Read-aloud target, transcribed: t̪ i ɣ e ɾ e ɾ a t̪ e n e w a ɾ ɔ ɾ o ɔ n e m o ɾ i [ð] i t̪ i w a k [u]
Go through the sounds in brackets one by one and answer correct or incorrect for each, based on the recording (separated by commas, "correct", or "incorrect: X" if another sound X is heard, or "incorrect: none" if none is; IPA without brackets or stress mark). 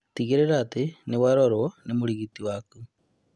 incorrect: ɣ, correct